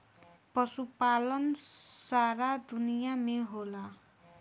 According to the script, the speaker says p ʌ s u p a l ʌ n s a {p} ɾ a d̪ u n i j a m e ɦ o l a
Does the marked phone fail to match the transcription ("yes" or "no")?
yes